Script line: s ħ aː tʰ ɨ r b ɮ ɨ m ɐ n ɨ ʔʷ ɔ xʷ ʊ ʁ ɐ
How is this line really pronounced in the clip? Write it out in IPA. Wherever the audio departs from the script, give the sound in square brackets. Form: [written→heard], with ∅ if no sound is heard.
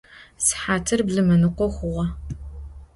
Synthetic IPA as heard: s ħ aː tʰ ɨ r b ɮ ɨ m ɐ n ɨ [ʔʷ→qʷ] ɔ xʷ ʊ ʁ ɐ